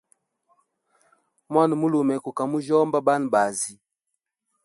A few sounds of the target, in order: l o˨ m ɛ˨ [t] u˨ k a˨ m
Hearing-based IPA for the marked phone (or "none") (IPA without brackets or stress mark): k